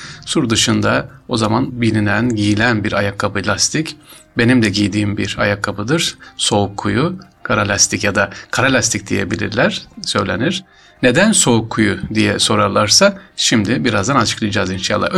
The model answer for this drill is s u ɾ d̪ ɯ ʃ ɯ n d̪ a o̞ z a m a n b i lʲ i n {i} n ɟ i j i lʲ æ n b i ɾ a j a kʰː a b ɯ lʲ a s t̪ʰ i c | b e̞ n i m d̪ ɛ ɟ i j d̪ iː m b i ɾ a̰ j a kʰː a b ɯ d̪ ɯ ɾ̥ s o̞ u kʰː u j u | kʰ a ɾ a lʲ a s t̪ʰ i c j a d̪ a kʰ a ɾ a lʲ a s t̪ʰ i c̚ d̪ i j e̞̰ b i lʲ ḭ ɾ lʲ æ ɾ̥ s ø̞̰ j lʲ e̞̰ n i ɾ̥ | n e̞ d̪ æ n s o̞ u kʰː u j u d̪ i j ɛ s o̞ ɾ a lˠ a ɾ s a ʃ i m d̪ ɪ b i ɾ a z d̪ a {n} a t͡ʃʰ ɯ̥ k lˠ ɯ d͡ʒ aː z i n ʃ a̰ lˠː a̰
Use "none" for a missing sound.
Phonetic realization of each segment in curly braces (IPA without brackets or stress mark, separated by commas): æ, n